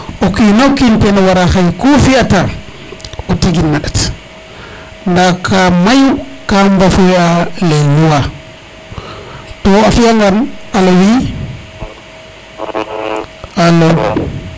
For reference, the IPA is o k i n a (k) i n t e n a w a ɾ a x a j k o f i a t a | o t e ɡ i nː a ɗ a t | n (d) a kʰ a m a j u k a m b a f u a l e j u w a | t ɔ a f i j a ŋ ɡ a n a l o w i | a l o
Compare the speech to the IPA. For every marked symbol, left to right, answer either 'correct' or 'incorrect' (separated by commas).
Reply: correct, correct